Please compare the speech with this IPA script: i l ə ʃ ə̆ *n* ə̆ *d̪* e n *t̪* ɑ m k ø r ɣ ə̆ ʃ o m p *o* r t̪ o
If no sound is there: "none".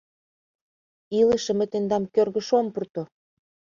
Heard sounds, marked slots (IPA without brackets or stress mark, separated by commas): m, t̪, d̪, u